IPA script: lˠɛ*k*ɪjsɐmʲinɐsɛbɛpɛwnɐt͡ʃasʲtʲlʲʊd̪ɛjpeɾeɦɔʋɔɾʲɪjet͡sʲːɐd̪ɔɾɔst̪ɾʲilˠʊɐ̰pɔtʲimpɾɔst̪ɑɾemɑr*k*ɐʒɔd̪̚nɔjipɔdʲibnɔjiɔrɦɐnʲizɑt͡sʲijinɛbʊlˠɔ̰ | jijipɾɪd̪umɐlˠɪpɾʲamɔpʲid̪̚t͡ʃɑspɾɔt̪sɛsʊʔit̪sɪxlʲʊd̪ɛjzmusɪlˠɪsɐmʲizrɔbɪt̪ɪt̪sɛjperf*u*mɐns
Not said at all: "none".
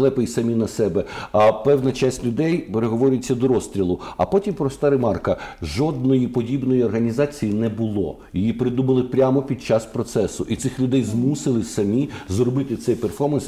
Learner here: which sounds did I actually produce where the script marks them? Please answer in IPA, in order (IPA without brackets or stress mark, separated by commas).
p, k, ɔ